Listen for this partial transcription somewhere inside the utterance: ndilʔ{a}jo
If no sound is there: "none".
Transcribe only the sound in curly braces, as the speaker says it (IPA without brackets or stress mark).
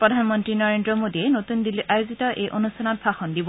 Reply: a